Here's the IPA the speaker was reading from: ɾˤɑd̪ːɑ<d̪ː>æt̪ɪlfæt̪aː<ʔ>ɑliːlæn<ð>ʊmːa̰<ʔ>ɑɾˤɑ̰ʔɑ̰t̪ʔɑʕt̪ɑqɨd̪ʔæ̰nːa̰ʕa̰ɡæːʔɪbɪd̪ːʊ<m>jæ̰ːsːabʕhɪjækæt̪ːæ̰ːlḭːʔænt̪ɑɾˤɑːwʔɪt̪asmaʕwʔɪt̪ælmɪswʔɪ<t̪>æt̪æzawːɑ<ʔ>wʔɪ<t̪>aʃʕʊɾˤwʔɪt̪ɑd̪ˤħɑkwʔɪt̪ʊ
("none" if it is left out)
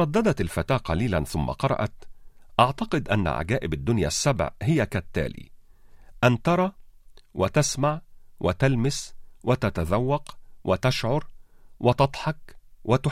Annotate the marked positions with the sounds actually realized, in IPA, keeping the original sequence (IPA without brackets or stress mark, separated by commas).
d̪, q, θ, q, n, t̪, q, t̪